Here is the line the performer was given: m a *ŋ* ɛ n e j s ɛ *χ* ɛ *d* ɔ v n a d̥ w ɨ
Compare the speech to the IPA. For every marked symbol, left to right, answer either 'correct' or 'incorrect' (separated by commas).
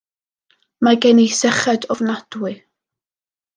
incorrect, correct, correct